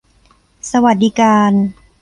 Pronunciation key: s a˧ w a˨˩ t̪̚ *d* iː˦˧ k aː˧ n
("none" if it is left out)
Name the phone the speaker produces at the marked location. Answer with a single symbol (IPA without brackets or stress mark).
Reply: d